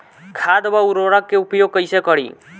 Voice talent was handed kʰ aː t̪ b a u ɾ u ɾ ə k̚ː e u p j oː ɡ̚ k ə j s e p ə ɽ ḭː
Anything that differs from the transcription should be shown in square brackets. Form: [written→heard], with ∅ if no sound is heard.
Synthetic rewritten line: kʰ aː [t̪→d̪] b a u ɾ [u→o] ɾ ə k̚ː e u p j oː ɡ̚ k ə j s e [p→k] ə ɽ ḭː